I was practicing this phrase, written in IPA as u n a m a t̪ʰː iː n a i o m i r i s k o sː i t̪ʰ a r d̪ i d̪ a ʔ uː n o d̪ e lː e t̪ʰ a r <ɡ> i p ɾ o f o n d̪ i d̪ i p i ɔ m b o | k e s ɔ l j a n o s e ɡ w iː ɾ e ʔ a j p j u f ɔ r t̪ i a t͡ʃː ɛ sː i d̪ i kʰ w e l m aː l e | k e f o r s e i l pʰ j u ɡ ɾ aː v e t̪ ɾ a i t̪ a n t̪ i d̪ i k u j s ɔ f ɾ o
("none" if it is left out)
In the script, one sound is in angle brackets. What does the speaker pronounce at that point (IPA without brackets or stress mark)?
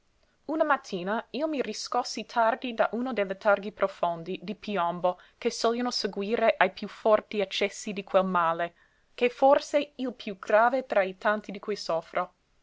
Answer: ɡ